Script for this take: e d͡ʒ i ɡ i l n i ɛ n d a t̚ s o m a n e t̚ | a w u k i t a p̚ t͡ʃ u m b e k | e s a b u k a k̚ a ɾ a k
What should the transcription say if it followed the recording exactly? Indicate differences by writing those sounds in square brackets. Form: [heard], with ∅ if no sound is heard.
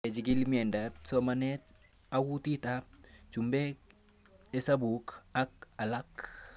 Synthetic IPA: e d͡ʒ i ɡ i l [m] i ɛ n d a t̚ s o m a n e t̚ | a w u [t] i t a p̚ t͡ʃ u m b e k | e s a b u k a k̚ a [l] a k